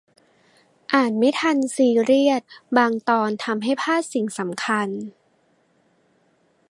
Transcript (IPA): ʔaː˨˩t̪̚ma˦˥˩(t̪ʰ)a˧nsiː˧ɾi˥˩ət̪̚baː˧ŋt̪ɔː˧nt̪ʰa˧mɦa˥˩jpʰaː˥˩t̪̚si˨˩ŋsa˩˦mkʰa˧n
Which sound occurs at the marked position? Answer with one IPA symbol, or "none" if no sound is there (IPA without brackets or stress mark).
t̪ʰ